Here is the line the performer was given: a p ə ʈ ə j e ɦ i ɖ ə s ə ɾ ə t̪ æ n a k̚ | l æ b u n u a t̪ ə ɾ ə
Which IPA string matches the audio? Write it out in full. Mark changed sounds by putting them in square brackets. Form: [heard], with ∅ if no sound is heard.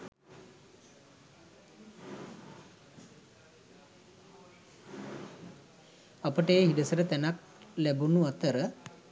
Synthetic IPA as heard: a p ə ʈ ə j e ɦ i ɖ ə s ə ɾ ə t̪ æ n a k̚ | l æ b u n u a t̪ ə ɾ ə